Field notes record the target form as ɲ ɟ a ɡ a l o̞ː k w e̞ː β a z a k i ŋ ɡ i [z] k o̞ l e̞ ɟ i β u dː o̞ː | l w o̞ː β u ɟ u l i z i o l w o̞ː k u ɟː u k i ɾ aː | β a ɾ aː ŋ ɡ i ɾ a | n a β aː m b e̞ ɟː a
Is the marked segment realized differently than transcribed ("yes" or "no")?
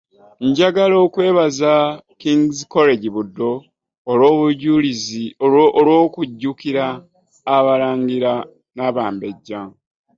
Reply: no